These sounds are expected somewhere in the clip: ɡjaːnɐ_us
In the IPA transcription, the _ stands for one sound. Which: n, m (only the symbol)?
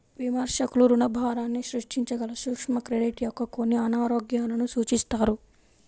n